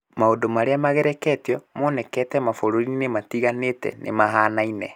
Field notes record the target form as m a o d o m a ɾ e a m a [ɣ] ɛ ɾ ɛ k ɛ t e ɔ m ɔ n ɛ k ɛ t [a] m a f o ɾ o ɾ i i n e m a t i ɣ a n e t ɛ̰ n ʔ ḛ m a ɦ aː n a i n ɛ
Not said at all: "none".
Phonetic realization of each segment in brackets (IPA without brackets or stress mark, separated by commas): ɣ, ɛ